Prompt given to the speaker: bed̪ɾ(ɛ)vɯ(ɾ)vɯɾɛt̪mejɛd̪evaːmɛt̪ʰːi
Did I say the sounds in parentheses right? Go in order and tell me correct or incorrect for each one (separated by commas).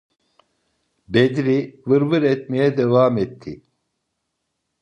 incorrect, correct